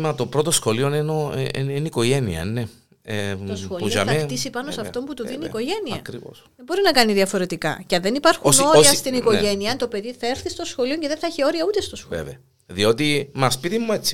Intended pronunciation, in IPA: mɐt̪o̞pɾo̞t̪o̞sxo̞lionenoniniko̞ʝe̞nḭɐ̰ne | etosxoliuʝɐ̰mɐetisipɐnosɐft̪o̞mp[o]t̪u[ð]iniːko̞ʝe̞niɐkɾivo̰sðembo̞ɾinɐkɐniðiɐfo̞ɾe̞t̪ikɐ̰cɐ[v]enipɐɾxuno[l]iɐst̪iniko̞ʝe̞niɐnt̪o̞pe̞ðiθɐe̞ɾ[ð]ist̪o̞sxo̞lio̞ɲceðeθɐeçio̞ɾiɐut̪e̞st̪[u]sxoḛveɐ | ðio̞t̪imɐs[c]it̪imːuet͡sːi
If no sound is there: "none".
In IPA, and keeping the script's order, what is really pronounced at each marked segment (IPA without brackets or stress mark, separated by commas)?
u, ð, ð, ɾ, θ, o, p